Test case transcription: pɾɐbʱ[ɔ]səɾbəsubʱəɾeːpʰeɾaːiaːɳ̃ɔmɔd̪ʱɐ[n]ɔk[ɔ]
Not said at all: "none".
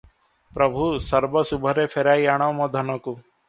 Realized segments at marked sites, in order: u, n, u

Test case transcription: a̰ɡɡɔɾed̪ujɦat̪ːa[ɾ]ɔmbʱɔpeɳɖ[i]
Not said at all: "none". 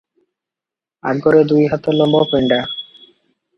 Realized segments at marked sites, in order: l, a

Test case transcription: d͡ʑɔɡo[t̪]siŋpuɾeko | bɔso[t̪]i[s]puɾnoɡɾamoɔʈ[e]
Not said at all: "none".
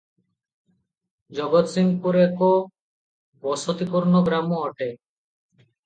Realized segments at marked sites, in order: t̪, t̪, none, e

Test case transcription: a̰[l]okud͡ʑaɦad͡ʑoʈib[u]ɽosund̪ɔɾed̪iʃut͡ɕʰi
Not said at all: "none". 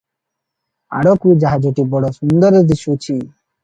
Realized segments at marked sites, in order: ɽ, ɔ

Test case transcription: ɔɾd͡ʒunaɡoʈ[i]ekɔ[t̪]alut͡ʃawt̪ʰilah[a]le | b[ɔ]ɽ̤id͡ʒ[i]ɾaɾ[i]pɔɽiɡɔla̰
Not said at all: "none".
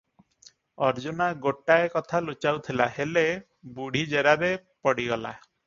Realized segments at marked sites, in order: a, t̪ʰ, e, u, e, e

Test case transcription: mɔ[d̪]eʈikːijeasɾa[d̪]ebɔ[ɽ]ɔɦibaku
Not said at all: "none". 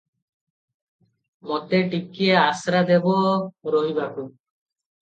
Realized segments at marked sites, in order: t̪, d̪, ɾ

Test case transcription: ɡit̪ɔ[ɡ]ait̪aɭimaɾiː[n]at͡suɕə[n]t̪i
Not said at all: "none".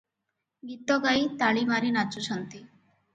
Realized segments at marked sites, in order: ɡ, n, n

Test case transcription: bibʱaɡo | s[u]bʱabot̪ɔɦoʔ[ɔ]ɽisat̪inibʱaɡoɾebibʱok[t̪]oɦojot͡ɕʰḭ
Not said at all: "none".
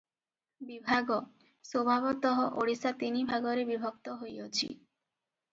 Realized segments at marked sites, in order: o, o, t̪

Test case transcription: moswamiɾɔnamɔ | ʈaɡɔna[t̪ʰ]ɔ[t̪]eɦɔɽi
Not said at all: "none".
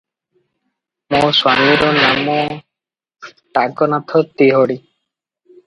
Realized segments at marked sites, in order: t̪ʰ, t̪

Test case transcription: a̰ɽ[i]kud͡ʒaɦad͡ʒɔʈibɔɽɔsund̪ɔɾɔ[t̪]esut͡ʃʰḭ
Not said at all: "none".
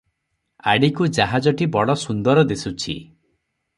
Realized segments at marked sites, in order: i, d̪

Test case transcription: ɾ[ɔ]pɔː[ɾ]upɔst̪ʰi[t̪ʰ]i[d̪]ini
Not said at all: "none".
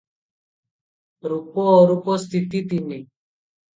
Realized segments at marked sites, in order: u, ɾ, t̪, t̪

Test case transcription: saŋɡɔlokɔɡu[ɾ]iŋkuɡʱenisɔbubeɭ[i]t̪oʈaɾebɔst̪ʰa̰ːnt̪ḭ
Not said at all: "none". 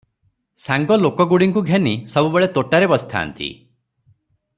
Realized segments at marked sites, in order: ɽ, e

